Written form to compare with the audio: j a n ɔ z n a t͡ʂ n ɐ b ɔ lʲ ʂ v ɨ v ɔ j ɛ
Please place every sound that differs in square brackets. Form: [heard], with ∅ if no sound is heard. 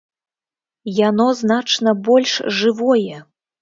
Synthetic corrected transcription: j a n ɔ z n a t͡ʂ n ɐ b ɔ lʲ ʂ [ʐ] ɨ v ɔ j ɛ